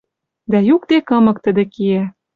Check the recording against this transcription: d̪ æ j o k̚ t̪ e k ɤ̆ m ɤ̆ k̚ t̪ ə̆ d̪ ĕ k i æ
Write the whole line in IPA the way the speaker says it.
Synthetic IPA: d̪ æ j u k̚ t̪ e k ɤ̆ m ɤ̆ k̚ t̪ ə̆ d̪ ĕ k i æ